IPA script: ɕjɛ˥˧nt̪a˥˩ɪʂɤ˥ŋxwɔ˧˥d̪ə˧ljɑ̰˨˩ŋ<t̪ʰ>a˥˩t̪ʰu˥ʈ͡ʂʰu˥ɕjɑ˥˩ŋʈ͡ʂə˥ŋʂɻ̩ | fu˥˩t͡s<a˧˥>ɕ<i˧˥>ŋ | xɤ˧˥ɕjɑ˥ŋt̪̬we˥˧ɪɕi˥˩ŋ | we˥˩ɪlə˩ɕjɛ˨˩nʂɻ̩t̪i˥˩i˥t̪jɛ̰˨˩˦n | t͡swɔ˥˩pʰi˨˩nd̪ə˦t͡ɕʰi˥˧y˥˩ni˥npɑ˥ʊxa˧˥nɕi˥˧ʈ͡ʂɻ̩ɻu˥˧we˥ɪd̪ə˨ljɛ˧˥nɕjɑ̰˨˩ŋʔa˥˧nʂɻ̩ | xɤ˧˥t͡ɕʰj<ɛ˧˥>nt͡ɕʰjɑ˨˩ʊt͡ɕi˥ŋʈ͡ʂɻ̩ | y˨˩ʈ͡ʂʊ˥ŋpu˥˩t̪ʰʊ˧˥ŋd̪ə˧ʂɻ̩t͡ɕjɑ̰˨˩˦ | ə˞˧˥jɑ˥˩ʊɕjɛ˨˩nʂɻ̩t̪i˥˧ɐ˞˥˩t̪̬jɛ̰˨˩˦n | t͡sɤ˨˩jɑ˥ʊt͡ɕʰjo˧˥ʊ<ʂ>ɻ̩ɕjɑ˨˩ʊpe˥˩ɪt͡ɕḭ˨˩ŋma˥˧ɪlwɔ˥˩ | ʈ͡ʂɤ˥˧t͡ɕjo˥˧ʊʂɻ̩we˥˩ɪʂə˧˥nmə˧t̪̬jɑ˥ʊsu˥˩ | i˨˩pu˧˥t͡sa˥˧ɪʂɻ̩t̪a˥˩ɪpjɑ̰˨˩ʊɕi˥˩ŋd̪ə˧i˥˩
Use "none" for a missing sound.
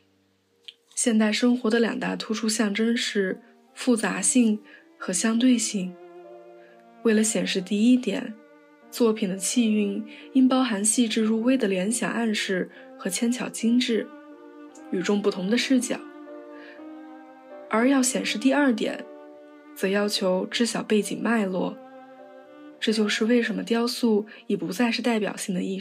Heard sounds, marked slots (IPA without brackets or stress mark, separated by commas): t̪, a˧˥, i˥˧, ɛ˥, ʈ͡ʂ